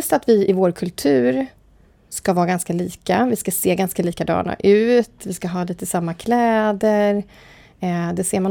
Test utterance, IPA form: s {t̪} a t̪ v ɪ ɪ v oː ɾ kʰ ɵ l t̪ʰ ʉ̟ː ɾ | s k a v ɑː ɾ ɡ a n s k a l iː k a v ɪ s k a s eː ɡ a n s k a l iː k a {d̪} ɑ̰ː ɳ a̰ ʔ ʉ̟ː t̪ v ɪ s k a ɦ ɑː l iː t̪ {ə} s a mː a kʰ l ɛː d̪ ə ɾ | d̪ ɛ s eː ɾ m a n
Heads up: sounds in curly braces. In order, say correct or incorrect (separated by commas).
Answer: correct, correct, correct